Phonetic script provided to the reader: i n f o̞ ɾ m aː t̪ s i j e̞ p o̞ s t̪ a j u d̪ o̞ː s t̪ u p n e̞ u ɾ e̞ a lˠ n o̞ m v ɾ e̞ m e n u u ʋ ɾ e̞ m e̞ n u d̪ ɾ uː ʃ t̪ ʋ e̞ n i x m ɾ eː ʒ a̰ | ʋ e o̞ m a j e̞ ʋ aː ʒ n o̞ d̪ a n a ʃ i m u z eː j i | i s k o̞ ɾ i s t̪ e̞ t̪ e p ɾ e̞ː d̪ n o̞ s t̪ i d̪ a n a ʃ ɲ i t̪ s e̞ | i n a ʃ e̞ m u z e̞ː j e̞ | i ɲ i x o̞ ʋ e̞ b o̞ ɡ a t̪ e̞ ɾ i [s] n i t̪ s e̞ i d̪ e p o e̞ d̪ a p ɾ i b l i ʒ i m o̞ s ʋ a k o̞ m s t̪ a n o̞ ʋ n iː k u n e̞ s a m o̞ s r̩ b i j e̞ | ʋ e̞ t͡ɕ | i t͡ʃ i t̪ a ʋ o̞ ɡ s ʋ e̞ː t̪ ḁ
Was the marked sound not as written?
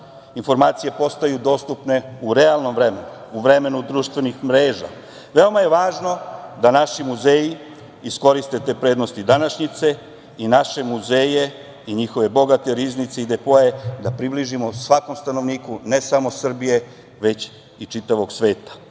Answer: yes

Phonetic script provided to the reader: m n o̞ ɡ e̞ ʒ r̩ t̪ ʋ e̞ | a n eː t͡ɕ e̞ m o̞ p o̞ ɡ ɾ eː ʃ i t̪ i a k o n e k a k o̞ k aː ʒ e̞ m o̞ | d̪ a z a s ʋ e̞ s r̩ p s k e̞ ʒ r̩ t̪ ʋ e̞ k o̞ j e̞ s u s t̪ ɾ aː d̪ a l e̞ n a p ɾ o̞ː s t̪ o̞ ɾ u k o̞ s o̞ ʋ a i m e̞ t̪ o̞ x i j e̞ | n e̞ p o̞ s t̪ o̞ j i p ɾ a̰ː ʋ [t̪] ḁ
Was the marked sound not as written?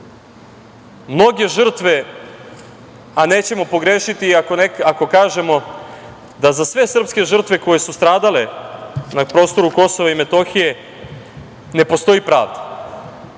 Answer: yes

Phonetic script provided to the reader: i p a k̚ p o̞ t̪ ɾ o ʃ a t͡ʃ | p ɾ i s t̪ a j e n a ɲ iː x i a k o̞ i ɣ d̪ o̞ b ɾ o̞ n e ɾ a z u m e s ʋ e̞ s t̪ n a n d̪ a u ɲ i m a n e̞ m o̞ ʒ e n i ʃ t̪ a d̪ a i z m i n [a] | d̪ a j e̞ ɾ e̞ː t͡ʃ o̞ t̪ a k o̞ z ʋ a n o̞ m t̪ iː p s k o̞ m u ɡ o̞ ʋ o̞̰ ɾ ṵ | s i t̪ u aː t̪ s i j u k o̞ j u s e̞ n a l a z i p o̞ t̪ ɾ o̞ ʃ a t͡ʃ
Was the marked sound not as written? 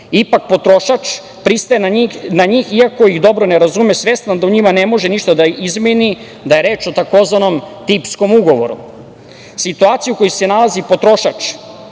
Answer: yes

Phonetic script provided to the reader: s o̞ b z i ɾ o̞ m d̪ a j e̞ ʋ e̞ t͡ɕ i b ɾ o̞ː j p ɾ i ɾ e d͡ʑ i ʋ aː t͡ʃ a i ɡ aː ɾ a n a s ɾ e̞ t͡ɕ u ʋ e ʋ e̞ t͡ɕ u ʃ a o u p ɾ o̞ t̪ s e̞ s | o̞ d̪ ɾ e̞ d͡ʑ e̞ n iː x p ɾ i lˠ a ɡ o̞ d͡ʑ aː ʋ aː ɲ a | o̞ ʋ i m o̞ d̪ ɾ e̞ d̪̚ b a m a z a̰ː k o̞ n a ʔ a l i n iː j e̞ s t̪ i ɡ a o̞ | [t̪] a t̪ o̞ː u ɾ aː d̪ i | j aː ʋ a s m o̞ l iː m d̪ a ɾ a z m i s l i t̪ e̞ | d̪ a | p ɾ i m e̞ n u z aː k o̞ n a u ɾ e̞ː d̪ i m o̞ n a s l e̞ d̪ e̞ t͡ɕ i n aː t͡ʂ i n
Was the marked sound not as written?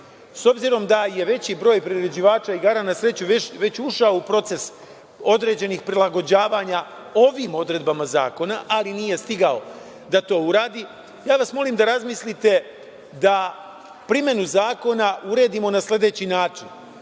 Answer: yes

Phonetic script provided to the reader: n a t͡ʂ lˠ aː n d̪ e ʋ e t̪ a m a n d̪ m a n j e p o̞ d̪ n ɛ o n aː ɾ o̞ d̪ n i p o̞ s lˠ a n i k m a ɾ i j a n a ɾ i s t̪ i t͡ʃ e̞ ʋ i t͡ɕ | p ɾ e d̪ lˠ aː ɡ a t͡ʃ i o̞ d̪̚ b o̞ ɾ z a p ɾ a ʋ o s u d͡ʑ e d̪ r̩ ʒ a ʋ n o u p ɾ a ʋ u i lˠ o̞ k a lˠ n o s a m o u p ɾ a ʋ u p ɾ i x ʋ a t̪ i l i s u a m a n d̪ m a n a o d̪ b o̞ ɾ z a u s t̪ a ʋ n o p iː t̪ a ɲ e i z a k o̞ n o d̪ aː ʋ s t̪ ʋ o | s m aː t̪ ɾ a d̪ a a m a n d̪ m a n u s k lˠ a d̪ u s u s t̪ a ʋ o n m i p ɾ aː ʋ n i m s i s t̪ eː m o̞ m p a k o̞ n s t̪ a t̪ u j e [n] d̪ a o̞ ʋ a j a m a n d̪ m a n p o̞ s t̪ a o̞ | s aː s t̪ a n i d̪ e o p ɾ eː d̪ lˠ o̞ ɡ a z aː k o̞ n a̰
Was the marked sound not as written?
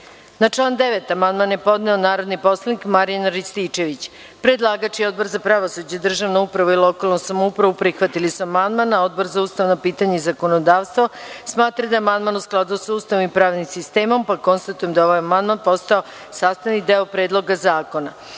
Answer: yes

